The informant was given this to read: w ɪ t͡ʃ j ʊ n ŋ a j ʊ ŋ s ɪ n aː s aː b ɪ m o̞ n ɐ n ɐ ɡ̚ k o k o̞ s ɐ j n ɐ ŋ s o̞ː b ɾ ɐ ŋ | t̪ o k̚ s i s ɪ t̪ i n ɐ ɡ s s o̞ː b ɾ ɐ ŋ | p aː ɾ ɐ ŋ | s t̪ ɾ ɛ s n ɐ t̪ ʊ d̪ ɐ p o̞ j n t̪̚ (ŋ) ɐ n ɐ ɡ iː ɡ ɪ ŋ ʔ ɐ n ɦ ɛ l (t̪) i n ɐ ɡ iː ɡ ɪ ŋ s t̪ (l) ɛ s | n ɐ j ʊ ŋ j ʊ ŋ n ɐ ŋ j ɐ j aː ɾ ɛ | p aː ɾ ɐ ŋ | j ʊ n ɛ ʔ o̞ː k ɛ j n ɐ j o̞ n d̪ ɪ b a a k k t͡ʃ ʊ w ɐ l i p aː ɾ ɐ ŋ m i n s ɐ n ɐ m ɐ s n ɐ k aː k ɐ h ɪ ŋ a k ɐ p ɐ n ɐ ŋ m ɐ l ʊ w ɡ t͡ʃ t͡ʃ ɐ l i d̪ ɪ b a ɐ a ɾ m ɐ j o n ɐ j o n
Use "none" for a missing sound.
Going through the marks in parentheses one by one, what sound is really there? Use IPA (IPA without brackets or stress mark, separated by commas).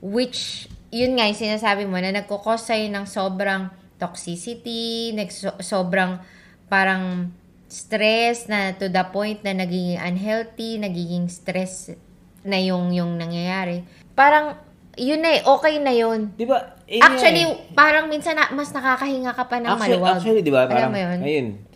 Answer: n, t̪, ɾ